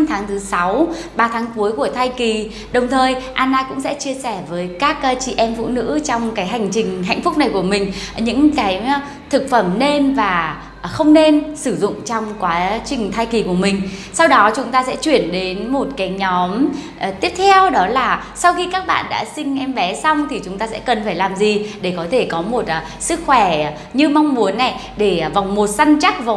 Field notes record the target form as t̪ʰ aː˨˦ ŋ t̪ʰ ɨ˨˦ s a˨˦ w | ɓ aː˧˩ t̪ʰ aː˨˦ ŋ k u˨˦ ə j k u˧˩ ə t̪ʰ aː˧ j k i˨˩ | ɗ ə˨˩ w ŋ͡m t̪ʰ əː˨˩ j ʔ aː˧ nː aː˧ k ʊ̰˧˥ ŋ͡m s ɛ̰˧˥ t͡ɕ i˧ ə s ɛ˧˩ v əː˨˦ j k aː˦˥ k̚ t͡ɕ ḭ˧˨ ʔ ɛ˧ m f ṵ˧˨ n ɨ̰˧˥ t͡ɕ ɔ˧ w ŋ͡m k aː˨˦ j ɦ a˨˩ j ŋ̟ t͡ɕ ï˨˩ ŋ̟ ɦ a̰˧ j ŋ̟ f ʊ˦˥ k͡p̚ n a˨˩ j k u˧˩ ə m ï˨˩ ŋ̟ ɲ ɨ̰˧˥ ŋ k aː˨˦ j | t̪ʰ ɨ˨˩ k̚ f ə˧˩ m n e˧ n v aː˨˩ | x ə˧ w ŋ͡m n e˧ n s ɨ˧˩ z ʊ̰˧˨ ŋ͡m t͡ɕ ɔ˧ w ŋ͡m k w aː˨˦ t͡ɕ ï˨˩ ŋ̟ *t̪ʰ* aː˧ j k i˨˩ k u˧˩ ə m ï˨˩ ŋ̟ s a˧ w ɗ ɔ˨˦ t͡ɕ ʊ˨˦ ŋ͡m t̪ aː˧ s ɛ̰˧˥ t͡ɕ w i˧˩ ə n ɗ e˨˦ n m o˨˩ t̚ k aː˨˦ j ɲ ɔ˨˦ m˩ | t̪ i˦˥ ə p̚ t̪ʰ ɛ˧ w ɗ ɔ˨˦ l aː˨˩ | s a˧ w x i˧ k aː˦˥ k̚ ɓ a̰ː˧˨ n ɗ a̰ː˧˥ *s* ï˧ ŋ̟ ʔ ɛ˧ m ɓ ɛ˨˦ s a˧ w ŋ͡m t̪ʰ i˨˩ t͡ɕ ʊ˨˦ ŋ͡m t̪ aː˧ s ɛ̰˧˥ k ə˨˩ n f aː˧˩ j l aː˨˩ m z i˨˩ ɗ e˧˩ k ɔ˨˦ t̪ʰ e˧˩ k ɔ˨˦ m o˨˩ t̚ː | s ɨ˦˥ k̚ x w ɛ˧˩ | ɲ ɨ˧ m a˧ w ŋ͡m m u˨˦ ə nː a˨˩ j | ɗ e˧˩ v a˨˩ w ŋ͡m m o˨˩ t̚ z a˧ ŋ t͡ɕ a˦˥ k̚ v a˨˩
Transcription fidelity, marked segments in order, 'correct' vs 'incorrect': correct, correct

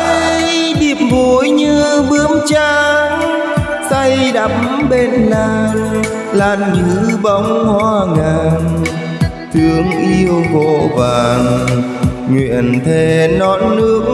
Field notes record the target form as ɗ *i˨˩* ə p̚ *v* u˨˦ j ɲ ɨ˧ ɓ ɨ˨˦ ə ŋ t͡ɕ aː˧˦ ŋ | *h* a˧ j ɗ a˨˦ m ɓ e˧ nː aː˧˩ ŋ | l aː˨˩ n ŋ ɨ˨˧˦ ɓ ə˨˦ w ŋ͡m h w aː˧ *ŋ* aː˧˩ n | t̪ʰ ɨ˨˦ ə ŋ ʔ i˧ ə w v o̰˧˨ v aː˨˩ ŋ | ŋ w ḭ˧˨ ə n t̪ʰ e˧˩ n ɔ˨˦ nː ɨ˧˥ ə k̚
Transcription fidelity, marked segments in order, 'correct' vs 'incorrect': correct, correct, incorrect: s, correct

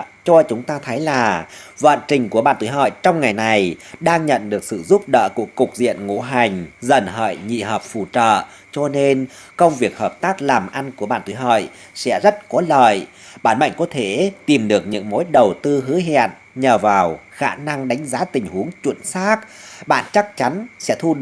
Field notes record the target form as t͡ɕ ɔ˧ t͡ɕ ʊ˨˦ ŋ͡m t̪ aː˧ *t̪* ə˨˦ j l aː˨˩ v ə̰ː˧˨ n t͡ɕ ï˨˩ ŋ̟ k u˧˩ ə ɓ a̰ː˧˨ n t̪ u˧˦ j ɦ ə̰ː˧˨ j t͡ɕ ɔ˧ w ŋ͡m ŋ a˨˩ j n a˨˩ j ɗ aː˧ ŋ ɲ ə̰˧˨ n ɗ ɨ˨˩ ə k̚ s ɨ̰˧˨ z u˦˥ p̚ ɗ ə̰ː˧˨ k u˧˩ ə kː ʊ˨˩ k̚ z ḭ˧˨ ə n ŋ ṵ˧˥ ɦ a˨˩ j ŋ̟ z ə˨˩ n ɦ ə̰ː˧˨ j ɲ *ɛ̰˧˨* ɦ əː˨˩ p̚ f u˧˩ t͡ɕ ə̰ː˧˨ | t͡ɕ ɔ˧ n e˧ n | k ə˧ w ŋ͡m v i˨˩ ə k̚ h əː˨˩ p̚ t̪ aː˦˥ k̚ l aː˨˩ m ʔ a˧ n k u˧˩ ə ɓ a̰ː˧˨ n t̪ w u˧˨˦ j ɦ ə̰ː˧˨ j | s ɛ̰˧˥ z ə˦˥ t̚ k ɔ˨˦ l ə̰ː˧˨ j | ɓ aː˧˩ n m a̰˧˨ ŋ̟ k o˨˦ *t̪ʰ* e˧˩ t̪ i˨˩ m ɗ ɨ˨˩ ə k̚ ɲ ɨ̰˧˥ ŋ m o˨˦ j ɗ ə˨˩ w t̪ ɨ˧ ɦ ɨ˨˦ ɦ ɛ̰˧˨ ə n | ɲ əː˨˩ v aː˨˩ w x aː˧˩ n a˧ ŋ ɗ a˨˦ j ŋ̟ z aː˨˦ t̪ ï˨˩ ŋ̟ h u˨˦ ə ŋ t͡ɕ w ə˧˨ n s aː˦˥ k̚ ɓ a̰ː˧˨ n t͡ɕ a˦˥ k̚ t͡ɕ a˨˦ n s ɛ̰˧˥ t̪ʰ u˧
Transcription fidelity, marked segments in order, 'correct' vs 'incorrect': incorrect: t̪ʰ, incorrect: ḭ˧˨, correct

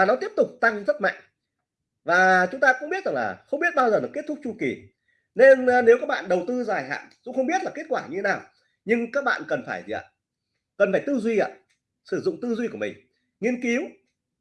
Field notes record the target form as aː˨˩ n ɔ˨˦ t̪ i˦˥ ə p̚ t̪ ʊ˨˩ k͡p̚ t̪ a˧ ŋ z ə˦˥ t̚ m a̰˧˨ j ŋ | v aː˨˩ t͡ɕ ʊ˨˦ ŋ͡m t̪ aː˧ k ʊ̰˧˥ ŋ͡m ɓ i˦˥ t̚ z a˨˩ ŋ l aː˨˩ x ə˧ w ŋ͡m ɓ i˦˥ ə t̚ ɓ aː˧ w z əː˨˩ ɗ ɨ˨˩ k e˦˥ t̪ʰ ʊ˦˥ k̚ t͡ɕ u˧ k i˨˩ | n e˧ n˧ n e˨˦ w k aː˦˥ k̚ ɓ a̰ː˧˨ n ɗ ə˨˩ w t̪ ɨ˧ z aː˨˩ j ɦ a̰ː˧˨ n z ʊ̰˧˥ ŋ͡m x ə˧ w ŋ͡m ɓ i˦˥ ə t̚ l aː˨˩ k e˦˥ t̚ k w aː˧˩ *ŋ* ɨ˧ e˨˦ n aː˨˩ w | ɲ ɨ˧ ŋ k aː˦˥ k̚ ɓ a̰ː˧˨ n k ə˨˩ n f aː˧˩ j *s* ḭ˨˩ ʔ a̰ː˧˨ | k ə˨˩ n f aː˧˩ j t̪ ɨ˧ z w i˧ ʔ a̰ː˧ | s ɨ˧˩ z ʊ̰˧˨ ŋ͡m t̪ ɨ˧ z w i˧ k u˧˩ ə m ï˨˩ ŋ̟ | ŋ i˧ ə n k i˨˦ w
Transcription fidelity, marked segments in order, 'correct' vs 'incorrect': incorrect: ɲ, incorrect: z

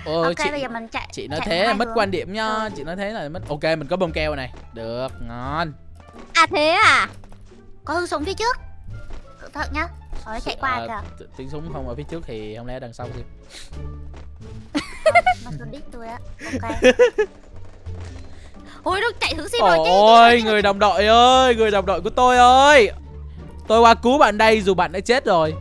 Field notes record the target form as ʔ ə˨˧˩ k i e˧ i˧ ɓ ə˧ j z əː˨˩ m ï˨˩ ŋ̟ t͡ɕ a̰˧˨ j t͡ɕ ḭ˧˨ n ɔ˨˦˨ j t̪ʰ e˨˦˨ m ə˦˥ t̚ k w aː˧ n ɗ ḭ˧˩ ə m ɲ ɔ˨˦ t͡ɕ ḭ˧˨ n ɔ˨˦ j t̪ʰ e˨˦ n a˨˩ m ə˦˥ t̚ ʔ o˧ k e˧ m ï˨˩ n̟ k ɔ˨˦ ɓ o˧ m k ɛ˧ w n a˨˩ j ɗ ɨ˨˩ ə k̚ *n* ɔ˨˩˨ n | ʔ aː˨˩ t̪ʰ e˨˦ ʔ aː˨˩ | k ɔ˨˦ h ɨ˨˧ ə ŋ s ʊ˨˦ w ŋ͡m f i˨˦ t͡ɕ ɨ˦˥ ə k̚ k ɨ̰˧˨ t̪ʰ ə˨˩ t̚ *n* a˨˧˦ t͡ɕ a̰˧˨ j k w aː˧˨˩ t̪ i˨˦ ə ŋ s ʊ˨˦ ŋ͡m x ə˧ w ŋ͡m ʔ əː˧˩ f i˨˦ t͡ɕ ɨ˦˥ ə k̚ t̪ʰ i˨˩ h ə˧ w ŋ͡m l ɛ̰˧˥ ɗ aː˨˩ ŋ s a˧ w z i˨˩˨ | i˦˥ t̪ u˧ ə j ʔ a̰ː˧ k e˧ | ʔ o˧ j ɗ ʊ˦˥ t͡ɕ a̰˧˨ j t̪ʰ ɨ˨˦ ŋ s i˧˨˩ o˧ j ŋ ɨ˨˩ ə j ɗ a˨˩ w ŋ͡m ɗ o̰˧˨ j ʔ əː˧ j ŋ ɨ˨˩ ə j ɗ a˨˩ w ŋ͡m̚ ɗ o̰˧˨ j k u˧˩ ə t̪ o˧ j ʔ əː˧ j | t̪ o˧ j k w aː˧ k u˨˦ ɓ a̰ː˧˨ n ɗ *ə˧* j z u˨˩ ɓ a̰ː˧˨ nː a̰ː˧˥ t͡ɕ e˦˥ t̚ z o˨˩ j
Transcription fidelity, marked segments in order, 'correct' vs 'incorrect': incorrect: ŋ, incorrect: ɲ, correct

